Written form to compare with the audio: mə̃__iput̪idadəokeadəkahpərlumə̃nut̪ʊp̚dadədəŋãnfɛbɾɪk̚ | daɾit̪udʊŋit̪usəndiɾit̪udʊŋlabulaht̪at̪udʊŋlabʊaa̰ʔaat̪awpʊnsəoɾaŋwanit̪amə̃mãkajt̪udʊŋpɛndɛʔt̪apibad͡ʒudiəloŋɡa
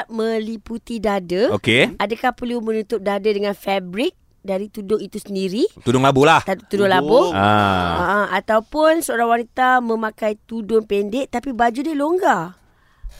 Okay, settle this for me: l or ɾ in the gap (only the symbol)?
l